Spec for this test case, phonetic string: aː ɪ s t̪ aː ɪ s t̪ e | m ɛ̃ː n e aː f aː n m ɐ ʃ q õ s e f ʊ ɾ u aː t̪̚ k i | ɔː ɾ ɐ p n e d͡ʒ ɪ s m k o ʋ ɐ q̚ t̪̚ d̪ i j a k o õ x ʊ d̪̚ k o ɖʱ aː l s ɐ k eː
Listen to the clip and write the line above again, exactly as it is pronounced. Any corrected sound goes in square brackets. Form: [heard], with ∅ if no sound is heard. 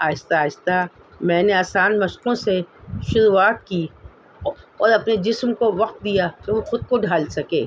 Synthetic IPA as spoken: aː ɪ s t̪ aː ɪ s t̪ [a] | m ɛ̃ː n e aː [s] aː n m ɐ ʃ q õ s e [ʃ] ʊ ɾ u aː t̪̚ k i | ɔː ɾ ɐ p n e d͡ʒ ɪ s m k o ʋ ɐ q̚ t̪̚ d̪ i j a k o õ x ʊ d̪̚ k o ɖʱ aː l s ɐ k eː